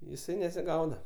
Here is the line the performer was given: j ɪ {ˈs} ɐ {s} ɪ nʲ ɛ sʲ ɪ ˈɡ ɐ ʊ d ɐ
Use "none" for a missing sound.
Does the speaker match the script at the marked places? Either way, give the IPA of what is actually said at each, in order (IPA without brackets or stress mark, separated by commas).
s, none